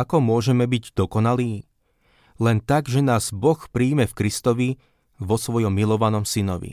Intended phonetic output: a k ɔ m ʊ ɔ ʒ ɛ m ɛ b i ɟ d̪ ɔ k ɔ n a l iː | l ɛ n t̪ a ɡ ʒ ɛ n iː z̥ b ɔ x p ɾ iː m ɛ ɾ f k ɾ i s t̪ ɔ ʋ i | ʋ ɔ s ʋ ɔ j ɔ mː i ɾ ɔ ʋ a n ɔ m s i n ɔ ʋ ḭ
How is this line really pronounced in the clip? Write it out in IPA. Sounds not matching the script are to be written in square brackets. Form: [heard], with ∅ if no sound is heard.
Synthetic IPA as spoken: a k ɔ m ʊ ɔ ʒ ɛ m ɛ b i ɟ d̪ ɔ k ɔ n a l iː | l ɛ n t̪ a ɡ ʒ ɛ n [aː] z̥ b ɔ x p ɾ iː m ɛ [∅] f k ɾ i s t̪ ɔ ʋ i | ʋ ɔ s ʋ ɔ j ɔ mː i [l] ɔ ʋ a n ɔ m s i n ɔ ʋ ḭ